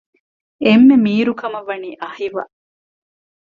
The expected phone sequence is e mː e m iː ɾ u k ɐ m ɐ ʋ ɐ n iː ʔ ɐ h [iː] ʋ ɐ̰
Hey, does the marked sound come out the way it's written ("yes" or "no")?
no